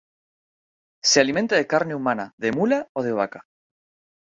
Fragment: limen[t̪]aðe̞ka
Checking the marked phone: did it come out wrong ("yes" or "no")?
no